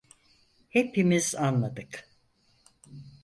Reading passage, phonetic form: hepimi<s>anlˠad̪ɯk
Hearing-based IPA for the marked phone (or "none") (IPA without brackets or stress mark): z